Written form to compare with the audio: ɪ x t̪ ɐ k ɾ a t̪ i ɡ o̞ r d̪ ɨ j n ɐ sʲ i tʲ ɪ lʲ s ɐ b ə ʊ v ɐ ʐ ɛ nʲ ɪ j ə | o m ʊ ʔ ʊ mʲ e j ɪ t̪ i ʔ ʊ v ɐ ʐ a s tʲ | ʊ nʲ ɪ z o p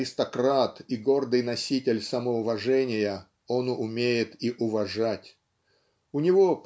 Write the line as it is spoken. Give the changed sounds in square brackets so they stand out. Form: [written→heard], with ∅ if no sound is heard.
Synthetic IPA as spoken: ɪ [x→s] t̪ ɐ k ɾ a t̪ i ɡ o̞ r d̪ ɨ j n ɐ sʲ i tʲ ɪ lʲ s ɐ [b→m] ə ʊ v ɐ ʐ ɛ nʲ ɪ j ə | o [m→n] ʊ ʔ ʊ mʲ e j ɪ t̪ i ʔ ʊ v ɐ ʐ a [s→∅] tʲ | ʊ nʲ ɪ [z→v] o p